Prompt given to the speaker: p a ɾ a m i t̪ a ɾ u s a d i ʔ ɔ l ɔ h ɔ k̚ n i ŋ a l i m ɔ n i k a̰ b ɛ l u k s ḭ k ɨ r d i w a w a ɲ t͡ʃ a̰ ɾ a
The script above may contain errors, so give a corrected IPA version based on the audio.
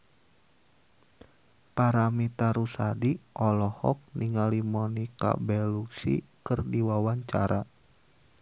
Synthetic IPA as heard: p a ɾ a m i t̪ a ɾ u s a d i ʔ ɔ l ɔ h ɔ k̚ n i ŋ a l i m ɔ n i k a̰ b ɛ l u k s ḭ k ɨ r d i w a w a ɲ t͡ʃ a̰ ɾ a